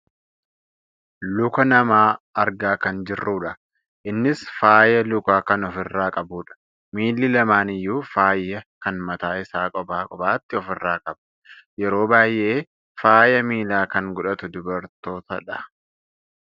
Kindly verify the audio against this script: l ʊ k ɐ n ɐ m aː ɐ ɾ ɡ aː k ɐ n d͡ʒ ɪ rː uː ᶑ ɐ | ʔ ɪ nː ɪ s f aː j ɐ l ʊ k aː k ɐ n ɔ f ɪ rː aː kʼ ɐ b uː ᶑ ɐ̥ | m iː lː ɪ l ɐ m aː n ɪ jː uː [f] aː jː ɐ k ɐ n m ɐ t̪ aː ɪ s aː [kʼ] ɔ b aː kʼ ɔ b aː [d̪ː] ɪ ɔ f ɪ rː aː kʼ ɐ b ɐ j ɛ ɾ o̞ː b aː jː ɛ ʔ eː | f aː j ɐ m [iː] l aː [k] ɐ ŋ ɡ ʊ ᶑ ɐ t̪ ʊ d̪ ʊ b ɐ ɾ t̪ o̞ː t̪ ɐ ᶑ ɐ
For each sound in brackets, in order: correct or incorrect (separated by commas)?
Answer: correct, correct, incorrect, correct, correct